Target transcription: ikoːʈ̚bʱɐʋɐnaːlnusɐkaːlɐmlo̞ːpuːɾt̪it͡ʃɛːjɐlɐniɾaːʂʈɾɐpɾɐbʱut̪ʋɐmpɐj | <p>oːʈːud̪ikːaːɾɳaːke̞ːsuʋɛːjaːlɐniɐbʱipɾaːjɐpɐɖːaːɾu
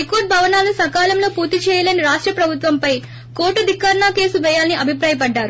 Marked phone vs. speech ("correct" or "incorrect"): incorrect